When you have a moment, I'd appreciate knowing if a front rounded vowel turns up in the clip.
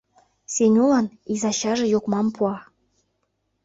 no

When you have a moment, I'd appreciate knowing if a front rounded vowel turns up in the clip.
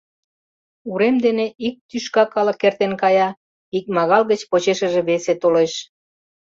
yes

